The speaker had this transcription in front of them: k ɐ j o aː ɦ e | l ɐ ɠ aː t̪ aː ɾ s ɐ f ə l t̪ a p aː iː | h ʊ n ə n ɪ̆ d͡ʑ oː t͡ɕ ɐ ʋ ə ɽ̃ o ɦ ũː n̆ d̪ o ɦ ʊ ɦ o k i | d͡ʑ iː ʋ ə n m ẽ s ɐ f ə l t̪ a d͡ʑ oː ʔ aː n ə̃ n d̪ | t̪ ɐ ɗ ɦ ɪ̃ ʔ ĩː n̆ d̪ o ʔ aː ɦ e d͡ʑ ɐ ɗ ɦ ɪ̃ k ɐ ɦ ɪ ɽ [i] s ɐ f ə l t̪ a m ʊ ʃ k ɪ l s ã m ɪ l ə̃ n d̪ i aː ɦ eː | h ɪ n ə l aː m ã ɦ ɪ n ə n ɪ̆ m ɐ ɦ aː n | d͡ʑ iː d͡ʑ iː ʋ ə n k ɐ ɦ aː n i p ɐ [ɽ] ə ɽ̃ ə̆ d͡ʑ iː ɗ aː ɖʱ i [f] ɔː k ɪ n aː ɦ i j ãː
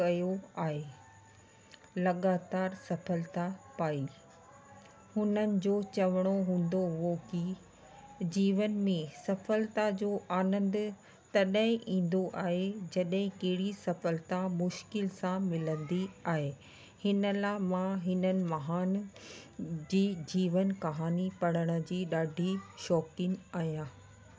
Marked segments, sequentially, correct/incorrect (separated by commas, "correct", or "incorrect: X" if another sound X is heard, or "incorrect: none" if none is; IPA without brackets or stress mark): correct, correct, incorrect: ʃ